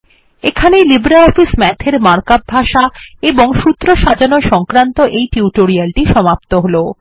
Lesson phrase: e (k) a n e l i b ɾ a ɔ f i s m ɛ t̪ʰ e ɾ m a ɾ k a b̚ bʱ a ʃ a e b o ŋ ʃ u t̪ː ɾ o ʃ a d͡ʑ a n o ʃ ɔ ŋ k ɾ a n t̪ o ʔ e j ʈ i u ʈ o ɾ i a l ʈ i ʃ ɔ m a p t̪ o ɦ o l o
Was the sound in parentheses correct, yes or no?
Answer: no